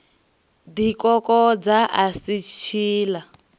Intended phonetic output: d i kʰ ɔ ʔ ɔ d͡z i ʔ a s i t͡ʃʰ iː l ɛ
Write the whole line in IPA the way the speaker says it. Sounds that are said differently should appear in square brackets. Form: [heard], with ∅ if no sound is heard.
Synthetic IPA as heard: d i [k] ɔ [k] ɔ d͡z [a] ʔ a s i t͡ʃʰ iː l [a]

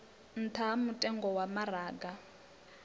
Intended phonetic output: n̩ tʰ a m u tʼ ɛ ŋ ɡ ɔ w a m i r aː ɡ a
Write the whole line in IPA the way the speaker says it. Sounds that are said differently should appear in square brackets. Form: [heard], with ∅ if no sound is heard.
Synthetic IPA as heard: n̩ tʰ a m u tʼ ɛ ŋ ɡ ɔ w a m [a] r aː ɡ a

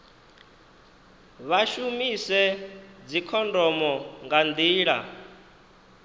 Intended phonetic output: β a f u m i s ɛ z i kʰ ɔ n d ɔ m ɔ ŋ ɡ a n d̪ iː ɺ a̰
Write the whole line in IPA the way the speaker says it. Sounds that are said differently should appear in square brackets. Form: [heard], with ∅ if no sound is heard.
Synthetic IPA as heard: β a [ʃ] u m i s ɛ [d͡z] i kʰ ɔ n d ɔ m ɔ ŋ ɡ a n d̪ iː ɺ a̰

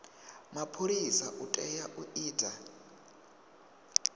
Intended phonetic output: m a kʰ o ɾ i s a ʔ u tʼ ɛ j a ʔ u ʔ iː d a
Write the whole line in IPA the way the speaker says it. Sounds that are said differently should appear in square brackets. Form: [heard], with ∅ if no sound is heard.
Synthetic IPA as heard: m a [pʰ] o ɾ i s a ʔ u tʼ ɛ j a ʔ u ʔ iː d a

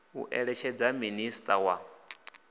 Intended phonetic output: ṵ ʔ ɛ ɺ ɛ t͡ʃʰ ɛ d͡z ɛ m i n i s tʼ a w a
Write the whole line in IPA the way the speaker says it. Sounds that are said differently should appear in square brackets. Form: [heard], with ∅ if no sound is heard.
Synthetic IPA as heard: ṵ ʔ ɛ ɺ ɛ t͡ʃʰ ɛ d͡z [a] m i n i s tʼ a w a

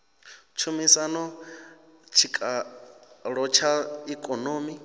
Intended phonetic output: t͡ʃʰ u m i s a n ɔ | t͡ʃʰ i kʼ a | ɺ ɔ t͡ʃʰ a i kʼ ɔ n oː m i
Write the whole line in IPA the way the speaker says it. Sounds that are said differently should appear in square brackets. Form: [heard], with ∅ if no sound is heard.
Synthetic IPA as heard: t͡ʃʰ u m i s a n ɔ | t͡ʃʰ i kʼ a | ɺ ɔ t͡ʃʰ a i kʼ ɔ n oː m i

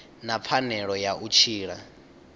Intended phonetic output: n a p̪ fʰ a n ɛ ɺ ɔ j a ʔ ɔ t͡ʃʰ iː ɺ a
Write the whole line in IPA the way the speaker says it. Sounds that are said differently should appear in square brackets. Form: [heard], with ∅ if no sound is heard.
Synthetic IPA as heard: n a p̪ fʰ a n ɛ ɺ ɔ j a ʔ [u] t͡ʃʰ iː ɺ a

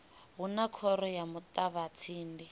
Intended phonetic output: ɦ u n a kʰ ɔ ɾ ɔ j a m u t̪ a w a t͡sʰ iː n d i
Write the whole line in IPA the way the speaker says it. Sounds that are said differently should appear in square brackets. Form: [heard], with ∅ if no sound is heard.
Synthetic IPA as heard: ɦ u n a kʰ ɔ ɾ ɔ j a m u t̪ a [β] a t͡sʰ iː n d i

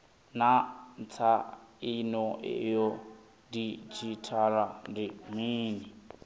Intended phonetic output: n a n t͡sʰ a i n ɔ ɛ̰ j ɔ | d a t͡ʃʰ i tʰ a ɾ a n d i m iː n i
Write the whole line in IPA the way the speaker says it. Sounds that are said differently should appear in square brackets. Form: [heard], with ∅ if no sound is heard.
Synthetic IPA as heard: n a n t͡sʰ a i n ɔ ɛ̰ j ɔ | d [i] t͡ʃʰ i tʰ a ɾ a n d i m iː n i

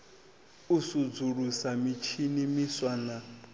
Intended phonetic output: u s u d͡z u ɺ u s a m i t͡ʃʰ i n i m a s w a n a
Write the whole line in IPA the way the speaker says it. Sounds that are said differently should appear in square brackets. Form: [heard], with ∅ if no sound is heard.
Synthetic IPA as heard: u s u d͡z u ɺ u s a m i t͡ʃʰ i n i m [i] s w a n a

